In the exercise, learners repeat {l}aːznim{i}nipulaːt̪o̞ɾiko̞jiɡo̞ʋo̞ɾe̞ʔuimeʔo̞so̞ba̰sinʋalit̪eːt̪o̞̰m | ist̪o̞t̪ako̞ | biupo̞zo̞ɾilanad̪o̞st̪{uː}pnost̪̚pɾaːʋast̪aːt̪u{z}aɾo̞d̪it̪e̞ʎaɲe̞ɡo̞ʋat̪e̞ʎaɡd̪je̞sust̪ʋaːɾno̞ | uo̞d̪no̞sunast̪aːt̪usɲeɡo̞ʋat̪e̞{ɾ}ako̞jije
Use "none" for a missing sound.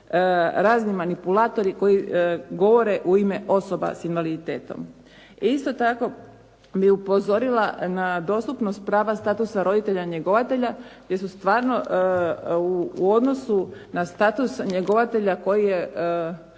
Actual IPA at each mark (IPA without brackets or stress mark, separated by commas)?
ɾ, a, u, s, ʎ